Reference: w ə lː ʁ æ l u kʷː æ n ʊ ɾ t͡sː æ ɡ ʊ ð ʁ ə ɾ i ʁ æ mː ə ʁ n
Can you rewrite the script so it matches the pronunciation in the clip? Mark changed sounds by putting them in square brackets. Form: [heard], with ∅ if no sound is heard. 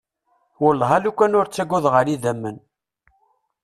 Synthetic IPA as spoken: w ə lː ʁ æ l u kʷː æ n ʊ ɾ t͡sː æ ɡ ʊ ð ʁ ə ɾ i [ð] æ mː ə [∅] n